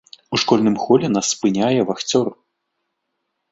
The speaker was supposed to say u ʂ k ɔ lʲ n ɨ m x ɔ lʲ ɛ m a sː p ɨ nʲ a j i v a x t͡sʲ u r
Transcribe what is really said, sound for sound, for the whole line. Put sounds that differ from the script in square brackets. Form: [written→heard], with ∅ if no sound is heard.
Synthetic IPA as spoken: u ʂ k ɔ lʲ n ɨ m x ɔ lʲ ɛ [m→n] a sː p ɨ nʲ a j [i→ɛ] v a x t͡sʲ [u→ɔ] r